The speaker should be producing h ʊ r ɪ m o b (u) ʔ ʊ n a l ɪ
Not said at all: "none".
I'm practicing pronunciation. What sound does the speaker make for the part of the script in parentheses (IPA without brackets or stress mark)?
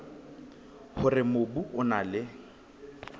u